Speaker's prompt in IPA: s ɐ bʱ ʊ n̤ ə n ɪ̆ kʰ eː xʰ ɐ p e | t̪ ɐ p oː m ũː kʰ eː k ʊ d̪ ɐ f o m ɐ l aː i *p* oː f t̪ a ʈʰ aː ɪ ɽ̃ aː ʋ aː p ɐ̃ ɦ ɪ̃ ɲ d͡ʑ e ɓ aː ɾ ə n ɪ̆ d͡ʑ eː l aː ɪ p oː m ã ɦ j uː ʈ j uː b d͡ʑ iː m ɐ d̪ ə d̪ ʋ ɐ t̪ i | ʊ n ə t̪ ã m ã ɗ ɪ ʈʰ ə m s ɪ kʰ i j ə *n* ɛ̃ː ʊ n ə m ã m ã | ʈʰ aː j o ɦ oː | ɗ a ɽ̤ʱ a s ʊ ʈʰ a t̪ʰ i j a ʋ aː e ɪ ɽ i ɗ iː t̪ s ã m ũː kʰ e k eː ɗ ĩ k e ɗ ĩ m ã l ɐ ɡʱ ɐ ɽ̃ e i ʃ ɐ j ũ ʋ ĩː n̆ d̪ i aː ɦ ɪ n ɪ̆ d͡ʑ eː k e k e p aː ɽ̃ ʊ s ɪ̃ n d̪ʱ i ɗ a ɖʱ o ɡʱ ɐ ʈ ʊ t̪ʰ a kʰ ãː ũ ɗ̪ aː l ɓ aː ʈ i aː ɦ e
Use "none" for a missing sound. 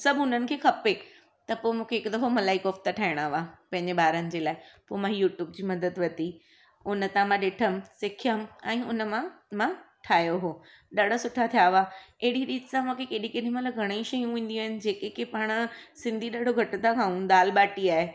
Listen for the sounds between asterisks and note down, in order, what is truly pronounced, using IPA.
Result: k, m

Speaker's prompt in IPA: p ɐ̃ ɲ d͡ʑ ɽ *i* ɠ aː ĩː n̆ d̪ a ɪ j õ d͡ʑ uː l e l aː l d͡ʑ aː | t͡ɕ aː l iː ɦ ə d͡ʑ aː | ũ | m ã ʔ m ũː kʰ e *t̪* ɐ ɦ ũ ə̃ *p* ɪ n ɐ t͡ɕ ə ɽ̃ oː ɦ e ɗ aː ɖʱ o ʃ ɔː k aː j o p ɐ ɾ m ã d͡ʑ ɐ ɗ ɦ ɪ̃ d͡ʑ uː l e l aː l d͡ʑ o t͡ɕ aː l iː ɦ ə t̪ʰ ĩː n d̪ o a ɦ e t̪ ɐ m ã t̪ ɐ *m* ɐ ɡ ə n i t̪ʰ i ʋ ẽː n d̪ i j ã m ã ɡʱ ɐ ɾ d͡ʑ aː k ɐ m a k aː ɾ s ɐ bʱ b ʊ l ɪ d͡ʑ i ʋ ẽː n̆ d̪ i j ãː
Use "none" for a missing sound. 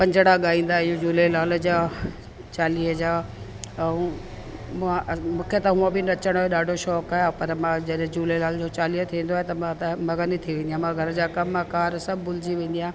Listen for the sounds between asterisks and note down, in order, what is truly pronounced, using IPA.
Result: a, t̪, b, m

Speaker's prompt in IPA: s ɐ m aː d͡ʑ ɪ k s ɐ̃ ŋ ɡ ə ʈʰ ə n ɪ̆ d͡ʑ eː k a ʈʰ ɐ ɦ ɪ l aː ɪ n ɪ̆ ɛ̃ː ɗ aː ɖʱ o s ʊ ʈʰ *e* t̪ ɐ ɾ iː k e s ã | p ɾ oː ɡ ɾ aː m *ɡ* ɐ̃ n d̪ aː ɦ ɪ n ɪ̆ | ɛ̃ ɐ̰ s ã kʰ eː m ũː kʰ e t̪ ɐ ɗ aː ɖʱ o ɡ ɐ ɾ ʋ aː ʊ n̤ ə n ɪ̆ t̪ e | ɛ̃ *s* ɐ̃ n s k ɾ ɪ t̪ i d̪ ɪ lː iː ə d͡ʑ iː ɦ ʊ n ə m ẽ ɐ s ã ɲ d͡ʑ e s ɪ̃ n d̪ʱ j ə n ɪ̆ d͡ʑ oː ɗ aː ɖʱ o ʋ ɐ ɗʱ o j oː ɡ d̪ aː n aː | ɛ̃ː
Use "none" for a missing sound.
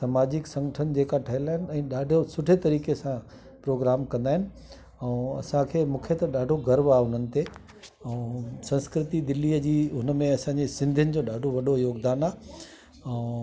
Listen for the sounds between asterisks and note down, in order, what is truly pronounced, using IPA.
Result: e, k, s

